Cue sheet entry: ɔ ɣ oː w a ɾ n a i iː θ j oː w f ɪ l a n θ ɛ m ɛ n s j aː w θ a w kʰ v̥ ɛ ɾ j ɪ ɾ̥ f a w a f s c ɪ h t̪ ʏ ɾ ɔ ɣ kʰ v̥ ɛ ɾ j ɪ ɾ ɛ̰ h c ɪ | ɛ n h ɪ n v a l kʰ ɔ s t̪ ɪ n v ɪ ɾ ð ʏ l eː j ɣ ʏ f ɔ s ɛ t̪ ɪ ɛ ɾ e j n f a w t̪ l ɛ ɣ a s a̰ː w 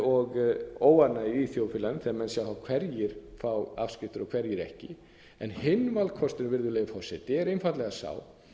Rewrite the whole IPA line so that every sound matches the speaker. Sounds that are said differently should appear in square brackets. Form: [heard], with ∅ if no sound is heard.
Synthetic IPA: ɔ ɣ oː w a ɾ n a i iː θ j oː w f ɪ l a n θ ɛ m ɛ n s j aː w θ a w kʰ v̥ ɛ ɾ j ɪ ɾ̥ f a w a f s c ɪ [f] t̪ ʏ ɾ ɔ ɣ kʰ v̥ ɛ ɾ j ɪ ɾ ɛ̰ h c ɪ | ɛ n h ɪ n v a l kʰ ɔ s t̪ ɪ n v ɪ ɾ ð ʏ l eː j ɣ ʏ f ɔ s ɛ t̪ ɪ ɛ ɾ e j n f a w t̪ l ɛ ɣ a s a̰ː w